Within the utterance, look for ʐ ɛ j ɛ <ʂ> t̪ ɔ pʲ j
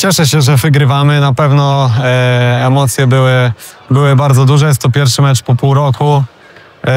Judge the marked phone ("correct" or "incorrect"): incorrect